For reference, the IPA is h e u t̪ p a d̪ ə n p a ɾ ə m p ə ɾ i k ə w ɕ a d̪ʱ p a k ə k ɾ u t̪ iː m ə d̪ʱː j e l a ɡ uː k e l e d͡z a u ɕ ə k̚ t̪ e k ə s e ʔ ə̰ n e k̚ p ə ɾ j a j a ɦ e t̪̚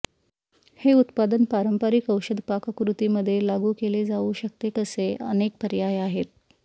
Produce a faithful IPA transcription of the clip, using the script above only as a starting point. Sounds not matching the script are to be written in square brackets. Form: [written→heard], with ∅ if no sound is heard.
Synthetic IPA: h e u t̪ p a d̪ ə n p a ɾ ə m p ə ɾ i k ə w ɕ [a→ə] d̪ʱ p a k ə k ɾ u t̪ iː m ə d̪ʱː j e l a ɡ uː k e l e d͡z a u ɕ ə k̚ t̪ e k ə s e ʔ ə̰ n e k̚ p ə ɾ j a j a ɦ e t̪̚

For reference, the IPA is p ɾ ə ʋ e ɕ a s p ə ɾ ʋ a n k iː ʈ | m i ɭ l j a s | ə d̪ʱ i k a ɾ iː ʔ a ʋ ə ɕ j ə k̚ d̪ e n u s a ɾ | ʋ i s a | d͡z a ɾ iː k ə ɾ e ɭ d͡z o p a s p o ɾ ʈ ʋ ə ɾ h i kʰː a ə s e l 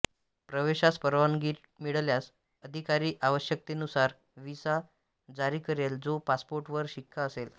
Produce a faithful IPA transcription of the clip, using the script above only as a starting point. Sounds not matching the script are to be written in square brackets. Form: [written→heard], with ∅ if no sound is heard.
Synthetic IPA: p ɾ ə ʋ e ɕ a s p ə ɾ ʋ a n [k→ɡ] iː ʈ | m i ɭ l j a s | ə d̪ʱ i k a ɾ iː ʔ a ʋ ə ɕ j ə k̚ [d̪→t̪] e n u s a ɾ | ʋ i s a | d͡z a ɾ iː k ə ɾ e [ɭ→l] d͡z o p a s p o ɾ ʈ ʋ ə ɾ [h→ɕ] i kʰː a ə s e l

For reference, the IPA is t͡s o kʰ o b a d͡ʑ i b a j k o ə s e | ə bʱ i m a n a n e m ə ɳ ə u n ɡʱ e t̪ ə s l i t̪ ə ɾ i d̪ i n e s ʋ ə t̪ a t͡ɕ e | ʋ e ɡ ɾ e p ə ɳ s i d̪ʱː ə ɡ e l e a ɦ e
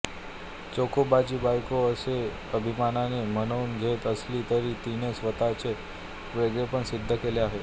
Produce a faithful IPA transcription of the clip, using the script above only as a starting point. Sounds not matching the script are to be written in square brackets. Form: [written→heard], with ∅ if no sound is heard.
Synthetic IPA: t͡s o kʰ o b a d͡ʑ i b a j k o ə s e | ə bʱ i m a n a n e m ə [ɳ→n] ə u n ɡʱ e t̪ ə s l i t̪ ə ɾ i [d̪→t̪] i n e s ʋ ə t̪ a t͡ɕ e | ʋ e ɡ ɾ e p ə ɳ s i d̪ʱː ə [ɡ→k] e l e a ɦ e

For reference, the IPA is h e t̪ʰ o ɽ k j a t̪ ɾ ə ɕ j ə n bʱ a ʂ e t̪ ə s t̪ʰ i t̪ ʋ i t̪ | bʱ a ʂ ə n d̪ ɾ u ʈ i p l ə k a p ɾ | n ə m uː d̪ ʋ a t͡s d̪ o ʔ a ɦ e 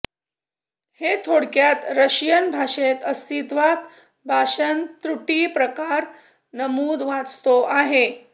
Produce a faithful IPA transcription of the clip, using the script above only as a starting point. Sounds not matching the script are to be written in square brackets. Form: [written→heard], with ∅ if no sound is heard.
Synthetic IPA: h e t̪ʰ o ɽ k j a t̪ ɾ ə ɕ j ə n bʱ a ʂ e t̪ ə s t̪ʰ i t̪ ʋ [i→a] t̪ | bʱ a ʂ ə n [d̪→t̪] ɾ u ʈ i p [l→ɾ] ə k a [p→∅] ɾ | n ə m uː d̪ ʋ a t͡s [d̪→t̪] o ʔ a ɦ e

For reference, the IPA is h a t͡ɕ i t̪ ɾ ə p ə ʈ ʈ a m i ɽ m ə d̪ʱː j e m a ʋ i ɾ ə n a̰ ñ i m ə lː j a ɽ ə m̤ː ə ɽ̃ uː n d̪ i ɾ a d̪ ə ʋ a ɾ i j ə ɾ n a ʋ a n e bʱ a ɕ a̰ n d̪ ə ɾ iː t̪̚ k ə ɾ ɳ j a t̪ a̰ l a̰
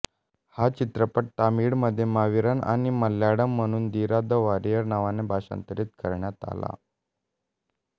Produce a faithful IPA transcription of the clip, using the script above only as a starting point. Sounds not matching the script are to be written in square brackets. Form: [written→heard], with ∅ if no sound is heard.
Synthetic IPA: h a t͡ɕ i t̪ ɾ ə p ə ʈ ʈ a m i ɽ m ə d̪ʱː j e m a ʋ i ɾ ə n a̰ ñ i m ə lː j a ɽ ə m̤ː ə ɽ̃ uː n d̪ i ɾ a d̪ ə ʋ a ɾ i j ə ɾ n a ʋ a n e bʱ a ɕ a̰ n [d̪→t̪] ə ɾ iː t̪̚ k ə ɾ ɳ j a t̪ a̰ l a̰

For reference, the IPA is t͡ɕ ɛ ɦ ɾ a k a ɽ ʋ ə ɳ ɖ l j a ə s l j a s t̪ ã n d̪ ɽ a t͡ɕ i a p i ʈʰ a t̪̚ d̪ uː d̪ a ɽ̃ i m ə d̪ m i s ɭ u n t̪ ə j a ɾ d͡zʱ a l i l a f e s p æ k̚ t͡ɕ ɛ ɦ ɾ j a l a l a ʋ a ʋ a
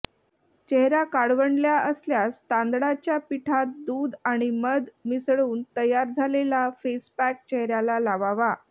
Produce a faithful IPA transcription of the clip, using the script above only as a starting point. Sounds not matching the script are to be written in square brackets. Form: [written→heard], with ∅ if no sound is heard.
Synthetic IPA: t͡ɕ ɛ ɦ ɾ a k a ɽ ʋ ə ɳ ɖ l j a ə s l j a s t̪ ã n d̪ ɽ a t͡ɕ [i→j] a p i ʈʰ a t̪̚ d̪ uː d̪ a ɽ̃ i m ə d̪ m i s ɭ [u→uː] n t̪ ə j a ɾ d͡zʱ a l [i→e] l a f e s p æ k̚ t͡ɕ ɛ ɦ ɾ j a l a l a ʋ a ʋ a

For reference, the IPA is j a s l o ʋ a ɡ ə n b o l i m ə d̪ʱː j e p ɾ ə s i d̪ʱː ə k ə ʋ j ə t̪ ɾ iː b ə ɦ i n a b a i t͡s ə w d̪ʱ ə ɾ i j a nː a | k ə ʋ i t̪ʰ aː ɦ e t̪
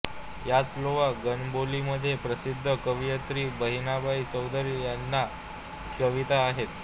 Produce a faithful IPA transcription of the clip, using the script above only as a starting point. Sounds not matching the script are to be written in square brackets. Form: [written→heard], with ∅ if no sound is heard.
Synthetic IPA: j a [s→t͡s] l o ʋ a ɡ ə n b o l i m ə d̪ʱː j e p ɾ ə s i d̪ʱː ə k ə ʋ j ə t̪ ɾ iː b ə ɦ i n a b a i t͡s ə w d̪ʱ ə ɾ i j a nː a | k ə ʋ i [t̪ʰ→t̪] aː ɦ e t̪

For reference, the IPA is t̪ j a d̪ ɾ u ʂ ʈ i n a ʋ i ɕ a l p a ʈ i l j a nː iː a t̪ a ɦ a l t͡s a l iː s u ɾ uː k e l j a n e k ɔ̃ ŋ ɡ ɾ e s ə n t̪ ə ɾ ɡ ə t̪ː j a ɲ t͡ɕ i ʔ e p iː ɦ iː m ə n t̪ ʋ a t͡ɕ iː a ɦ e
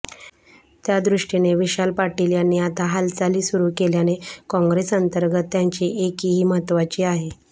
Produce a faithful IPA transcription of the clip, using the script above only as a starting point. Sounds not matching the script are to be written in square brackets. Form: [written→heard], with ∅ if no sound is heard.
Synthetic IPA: t̪ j a d̪ ɾ u ʂ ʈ i n [a→e] ʋ i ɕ a l p a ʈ i l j a nː iː a t̪ a ɦ a l t͡s a l iː s u ɾ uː k e l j a n e k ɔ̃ ŋ ɡ ɾ e s ə n t̪ ə ɾ ɡ ə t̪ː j a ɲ t͡ɕ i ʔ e [p→k] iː ɦ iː m ə [n→∅] t̪ ʋ a t͡ɕ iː a ɦ e

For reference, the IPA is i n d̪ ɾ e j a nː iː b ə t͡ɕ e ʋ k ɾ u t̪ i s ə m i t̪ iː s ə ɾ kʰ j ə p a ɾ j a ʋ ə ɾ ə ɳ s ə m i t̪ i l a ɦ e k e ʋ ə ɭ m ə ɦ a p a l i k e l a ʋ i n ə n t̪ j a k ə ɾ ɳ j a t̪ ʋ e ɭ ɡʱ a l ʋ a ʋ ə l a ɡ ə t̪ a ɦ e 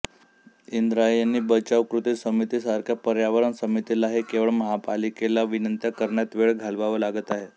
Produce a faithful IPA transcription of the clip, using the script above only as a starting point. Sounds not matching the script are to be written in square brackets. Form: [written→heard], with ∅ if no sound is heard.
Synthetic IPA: i n d̪ ɾ [e→a] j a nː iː b ə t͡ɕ [e→a] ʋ k ɾ u t̪ i s ə m i t̪ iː s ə ɾ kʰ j [ə→a] p [a→ə] ɾ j a ʋ ə ɾ ə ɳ s ə m i t̪ i l a ɦ e k e ʋ ə ɭ m ə ɦ a p a l i k e l a ʋ i n ə n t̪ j a k ə ɾ ɳ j a t̪ ʋ e ɭ ɡʱ a l ʋ a ʋ ə l a ɡ ə t̪ a ɦ e

